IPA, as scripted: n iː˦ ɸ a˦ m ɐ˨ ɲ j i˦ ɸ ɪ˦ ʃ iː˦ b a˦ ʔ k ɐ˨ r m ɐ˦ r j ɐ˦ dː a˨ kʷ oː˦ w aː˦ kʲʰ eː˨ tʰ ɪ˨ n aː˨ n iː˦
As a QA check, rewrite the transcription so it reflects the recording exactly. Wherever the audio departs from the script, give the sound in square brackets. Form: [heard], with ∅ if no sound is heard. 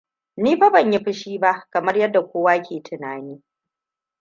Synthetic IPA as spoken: n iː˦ ɸ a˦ [b] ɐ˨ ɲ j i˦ ɸ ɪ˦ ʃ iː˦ b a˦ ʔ k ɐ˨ [∅] m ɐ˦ r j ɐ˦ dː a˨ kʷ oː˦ w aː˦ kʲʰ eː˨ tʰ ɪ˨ n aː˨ n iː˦

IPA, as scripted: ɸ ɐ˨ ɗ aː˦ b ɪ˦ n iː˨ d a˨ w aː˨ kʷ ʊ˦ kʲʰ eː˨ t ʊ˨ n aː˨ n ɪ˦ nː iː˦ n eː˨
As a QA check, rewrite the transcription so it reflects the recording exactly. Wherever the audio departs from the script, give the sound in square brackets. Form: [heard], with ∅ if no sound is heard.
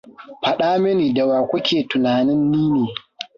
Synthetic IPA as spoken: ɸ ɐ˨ ɗ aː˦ [m] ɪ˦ n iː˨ d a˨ w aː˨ kʷ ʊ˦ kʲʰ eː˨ t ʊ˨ n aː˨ n ɪ˦ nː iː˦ n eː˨

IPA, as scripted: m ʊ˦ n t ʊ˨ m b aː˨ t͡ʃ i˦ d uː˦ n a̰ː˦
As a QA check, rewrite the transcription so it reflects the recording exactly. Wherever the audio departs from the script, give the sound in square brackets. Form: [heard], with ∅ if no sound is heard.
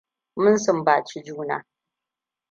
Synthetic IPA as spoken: m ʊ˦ n [s] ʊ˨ m b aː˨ t͡ʃ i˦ [d͡ʒ] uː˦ n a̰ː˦

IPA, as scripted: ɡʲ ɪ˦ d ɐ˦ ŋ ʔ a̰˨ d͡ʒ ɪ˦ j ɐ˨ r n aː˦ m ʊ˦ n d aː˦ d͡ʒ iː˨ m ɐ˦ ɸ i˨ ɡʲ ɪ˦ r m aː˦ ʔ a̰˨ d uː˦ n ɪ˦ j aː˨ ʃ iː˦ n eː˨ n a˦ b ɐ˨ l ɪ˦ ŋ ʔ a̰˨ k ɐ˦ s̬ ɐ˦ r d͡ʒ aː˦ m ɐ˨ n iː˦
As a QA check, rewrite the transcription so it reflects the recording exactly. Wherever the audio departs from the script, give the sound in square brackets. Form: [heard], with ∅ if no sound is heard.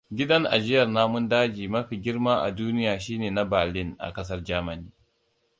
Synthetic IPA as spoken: ɡʲ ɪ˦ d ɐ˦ ŋ ʔ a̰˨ d͡ʒ ɪ˦ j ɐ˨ r n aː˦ m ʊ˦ n d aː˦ d͡ʒ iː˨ m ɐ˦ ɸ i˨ ɡʲ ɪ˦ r m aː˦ ʔ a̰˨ d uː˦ n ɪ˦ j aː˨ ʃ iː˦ n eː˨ n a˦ b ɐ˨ l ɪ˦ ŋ ʔ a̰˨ k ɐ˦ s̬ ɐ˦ r d͡ʒ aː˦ m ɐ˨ n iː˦

